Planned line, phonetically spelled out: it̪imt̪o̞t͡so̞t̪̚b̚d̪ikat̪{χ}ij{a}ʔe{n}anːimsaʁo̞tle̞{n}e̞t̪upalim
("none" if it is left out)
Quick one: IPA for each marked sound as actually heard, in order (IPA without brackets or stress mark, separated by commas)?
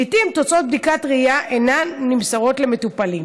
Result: ʁ, a, n, m